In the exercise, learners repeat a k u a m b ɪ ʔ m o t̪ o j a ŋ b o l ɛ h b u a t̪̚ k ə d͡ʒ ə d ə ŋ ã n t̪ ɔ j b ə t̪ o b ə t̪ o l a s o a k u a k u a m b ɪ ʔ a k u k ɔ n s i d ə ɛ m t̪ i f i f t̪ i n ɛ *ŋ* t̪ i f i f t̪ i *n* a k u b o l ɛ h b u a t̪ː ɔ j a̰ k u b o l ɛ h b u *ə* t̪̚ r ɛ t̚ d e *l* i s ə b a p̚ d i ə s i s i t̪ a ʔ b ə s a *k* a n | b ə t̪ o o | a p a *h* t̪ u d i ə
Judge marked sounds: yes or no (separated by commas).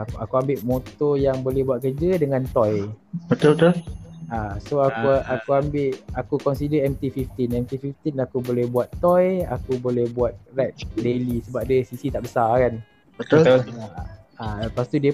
no, yes, no, yes, yes, no